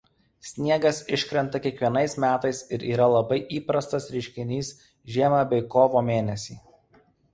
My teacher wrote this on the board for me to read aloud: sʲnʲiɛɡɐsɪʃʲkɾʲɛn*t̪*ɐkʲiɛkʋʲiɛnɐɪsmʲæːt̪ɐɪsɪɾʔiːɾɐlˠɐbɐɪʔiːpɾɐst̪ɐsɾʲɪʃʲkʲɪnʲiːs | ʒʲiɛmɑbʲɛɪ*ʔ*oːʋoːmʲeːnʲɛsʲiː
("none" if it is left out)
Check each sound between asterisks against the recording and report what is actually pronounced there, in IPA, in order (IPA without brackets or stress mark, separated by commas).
t̪, k